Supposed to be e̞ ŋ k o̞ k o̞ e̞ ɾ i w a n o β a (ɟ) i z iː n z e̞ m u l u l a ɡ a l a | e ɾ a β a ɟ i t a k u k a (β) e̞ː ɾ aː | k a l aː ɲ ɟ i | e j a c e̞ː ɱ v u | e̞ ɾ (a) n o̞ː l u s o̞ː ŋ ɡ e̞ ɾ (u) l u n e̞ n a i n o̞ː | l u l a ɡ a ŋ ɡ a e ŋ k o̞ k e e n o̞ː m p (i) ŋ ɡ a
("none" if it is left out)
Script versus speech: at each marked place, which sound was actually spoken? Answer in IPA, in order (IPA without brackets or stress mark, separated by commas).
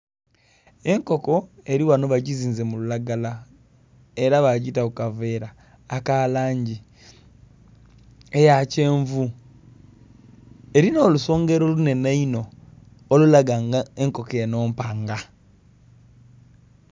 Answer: ɟ, v, i, o, a